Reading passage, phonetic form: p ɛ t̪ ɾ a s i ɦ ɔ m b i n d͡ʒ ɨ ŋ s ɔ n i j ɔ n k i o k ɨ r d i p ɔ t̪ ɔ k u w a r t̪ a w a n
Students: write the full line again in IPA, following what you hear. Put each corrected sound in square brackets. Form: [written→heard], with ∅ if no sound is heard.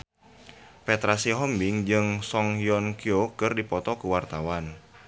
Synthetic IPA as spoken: p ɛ t̪ ɾ a s i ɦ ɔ m b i [n→ŋ] d͡ʒ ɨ ŋ s ɔ [n→ŋ] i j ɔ n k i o k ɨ r d i p ɔ t̪ ɔ k u w a r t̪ a w a n